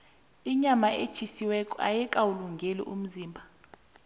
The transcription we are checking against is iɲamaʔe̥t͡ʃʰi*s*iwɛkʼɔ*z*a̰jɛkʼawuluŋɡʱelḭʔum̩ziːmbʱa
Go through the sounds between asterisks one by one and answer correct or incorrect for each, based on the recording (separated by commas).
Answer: correct, incorrect